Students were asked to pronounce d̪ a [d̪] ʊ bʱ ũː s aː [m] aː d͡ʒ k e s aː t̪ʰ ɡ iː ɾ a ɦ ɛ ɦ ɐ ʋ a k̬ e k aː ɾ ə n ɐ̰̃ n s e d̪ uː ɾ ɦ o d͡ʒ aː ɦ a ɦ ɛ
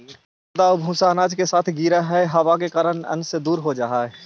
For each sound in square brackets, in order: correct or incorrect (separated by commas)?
incorrect, incorrect